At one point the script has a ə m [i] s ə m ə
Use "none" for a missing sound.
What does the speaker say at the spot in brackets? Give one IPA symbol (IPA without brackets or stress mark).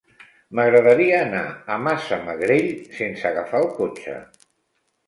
a